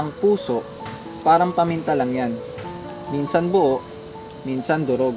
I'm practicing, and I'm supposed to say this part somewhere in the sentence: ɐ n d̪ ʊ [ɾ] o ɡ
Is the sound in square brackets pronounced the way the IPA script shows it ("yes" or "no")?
yes